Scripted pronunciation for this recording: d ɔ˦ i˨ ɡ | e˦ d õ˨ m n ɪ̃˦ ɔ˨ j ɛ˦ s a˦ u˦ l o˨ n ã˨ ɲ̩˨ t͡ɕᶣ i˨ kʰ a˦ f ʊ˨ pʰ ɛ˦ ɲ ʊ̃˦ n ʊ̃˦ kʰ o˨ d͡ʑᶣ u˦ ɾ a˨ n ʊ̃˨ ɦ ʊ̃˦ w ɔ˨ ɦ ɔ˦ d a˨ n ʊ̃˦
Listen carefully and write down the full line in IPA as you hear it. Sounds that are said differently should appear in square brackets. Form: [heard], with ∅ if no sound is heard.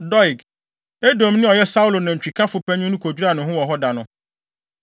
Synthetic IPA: d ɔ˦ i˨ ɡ | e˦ d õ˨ m n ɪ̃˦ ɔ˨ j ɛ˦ s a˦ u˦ l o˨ n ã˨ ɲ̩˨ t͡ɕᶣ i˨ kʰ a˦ f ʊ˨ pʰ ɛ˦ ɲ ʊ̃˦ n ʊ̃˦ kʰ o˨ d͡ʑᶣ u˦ ɾ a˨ n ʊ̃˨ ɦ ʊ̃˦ w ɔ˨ ɦ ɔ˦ d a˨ n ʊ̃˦